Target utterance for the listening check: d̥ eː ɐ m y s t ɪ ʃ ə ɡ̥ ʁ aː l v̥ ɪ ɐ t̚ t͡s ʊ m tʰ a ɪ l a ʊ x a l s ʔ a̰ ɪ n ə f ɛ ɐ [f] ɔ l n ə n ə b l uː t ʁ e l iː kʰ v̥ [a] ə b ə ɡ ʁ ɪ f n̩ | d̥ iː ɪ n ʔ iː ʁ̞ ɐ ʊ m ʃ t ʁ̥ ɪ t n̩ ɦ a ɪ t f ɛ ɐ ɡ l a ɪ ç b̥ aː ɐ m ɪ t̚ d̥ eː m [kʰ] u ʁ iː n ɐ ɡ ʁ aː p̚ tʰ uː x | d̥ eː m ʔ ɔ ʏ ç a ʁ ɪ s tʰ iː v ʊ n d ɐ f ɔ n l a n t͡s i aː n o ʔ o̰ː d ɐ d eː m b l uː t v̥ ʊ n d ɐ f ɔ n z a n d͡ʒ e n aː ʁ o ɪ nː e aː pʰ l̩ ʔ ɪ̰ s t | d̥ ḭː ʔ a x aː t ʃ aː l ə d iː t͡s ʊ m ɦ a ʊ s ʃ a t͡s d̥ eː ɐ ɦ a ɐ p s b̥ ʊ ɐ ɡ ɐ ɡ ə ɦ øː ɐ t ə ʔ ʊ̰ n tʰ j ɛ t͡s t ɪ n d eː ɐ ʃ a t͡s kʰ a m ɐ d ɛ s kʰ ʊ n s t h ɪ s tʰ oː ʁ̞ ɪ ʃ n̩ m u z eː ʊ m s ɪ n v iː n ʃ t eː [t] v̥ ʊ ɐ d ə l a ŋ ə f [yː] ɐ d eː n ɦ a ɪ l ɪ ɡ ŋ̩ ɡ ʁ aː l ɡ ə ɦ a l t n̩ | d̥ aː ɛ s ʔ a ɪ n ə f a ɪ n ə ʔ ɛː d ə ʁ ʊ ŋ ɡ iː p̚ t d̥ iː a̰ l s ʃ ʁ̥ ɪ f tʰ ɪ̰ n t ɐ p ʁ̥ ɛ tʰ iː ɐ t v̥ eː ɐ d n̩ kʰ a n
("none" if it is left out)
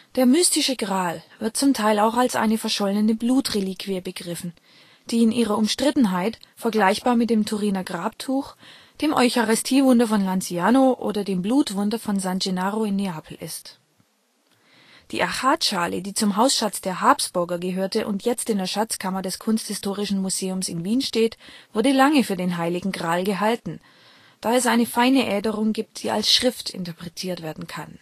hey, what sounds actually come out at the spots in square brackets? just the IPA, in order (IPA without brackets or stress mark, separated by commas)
ʃ, i, tʰ, t, yː